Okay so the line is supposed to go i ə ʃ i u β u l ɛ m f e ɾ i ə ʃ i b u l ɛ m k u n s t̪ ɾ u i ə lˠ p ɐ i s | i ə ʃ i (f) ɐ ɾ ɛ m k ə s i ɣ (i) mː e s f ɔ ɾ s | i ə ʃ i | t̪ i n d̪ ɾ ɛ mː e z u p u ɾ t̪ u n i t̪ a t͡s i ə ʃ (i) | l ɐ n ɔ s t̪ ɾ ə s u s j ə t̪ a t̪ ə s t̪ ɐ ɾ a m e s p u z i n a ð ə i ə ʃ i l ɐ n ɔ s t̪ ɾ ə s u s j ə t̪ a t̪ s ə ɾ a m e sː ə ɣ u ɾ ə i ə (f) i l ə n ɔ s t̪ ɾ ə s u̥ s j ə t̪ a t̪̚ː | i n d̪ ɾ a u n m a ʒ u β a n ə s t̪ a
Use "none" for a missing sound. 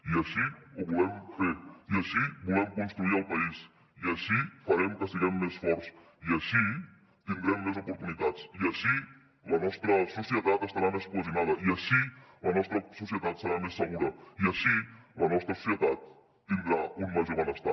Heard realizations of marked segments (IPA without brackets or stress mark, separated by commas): f, ɛ, i, ʃ